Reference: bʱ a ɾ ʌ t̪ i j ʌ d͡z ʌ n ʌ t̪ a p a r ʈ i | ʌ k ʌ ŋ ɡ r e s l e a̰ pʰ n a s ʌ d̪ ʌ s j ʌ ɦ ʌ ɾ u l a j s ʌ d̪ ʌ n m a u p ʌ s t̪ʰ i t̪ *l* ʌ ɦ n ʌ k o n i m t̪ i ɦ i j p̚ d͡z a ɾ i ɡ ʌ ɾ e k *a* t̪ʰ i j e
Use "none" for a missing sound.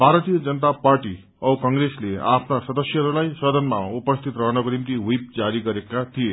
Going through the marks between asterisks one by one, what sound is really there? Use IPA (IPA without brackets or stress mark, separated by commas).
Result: r, a